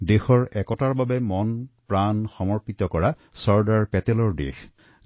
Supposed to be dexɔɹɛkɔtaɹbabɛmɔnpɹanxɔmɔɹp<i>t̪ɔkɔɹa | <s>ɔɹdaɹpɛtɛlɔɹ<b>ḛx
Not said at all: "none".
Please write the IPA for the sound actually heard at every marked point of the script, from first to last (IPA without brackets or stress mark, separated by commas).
i, s, d